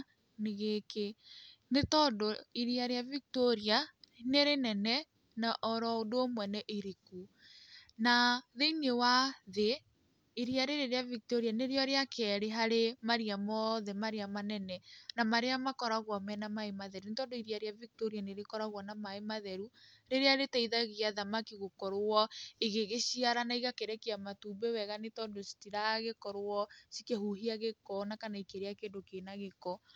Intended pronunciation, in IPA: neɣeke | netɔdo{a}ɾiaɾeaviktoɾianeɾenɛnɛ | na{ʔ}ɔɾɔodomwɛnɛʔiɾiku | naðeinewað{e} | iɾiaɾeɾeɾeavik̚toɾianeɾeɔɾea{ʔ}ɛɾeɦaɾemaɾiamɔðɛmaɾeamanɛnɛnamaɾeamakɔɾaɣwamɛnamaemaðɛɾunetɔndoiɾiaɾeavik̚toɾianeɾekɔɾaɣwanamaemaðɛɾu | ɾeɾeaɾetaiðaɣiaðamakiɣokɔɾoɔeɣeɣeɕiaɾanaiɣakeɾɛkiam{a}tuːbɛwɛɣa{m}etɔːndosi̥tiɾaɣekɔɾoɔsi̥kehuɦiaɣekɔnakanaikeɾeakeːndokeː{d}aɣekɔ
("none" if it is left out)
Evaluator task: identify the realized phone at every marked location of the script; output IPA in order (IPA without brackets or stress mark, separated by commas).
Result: i, ʔ, e, k, a, n, n